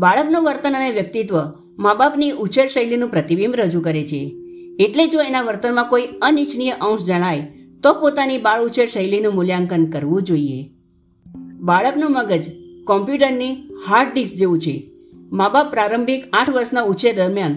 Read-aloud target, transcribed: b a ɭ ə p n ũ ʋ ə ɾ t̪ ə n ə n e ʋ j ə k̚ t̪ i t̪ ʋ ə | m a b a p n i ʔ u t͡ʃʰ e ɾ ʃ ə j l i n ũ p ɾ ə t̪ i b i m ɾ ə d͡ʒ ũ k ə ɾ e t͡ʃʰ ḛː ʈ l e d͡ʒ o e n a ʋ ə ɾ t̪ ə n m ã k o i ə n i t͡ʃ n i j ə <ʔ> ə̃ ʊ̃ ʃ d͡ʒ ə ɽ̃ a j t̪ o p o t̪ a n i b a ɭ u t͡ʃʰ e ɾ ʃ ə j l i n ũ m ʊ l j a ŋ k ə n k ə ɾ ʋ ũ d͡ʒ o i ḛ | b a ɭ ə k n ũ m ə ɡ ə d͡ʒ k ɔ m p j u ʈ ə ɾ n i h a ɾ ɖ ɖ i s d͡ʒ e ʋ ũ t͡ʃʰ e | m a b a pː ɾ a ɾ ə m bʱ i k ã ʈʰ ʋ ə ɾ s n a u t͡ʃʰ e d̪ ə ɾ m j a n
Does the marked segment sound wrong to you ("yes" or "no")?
no